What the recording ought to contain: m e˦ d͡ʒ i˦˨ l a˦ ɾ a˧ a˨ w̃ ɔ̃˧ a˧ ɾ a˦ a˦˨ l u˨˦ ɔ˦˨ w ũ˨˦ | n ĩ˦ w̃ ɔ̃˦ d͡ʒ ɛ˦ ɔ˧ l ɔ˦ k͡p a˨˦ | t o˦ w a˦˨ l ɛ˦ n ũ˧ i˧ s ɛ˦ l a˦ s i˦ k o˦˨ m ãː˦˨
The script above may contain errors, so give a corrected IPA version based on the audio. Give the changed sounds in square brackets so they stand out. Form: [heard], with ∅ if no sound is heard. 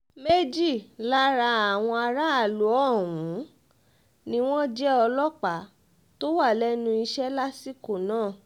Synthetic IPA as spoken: m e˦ d͡ʒ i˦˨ l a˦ ɾ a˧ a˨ w̃ ɔ̃˧ a˧ ɾ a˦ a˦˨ l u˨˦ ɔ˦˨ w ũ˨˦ | n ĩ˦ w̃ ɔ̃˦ d͡ʒ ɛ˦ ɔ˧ l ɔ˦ k͡p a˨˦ | t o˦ w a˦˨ l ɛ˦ n ũ˧ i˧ [ʃ] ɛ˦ l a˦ s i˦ k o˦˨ [n] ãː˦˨